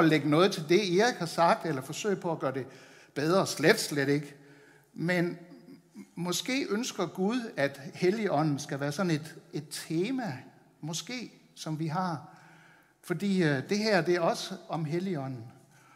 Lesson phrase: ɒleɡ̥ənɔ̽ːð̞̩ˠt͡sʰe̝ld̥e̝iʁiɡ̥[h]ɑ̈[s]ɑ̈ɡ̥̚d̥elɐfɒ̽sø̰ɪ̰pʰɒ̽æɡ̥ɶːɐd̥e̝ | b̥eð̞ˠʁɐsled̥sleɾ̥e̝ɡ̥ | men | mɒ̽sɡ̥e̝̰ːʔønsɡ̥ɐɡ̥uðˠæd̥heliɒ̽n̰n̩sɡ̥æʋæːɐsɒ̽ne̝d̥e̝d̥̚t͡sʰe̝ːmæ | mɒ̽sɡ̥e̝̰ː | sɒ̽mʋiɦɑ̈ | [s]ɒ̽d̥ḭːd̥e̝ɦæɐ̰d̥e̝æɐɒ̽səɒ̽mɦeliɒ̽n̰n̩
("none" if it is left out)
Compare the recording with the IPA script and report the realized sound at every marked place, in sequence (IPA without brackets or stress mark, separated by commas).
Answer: h, s, f